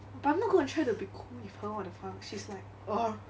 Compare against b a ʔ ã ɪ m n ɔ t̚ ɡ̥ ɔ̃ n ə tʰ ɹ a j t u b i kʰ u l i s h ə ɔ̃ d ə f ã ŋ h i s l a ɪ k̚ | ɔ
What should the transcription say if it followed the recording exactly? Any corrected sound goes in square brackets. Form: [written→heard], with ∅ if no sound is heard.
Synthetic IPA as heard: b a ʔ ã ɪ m n ɔ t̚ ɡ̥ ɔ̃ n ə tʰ ɹ a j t u b i kʰ u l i [s→f] h ə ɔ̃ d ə f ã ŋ [h→ʃ] i s l a ɪ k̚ | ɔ